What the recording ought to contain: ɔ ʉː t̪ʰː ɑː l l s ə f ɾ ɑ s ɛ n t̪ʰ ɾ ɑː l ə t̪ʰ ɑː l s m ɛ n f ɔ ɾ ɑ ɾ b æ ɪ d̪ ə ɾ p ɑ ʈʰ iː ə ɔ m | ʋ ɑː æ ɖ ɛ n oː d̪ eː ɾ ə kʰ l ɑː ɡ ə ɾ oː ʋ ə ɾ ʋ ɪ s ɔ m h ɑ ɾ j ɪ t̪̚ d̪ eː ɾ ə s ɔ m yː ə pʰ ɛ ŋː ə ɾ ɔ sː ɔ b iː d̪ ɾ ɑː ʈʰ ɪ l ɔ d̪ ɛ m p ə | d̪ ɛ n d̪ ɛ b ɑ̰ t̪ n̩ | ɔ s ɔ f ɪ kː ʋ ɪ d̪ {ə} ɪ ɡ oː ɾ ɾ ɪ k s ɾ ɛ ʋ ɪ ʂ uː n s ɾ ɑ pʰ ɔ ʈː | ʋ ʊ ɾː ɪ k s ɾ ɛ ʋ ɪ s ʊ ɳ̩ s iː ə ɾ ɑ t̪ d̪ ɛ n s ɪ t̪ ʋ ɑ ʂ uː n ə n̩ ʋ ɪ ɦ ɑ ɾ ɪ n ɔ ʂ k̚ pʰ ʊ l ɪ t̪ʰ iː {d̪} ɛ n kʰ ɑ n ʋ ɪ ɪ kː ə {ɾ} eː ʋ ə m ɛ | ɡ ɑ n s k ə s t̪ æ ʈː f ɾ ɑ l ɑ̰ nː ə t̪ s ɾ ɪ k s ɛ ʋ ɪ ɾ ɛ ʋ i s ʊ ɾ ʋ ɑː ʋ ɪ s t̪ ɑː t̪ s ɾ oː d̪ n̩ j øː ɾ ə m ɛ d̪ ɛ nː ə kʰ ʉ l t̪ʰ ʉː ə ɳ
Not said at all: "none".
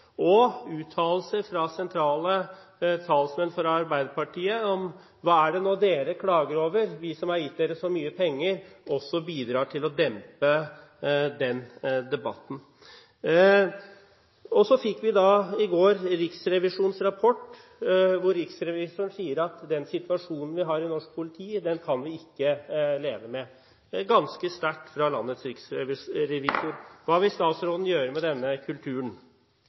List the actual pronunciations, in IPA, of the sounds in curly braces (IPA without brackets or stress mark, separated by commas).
ɑ, d̪, l